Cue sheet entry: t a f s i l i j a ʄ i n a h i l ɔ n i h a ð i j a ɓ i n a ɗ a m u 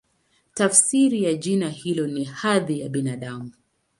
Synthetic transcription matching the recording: t a f s i ɾ i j a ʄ i n a h i l ɔ n i h a ð i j a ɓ i n a ɗ a m u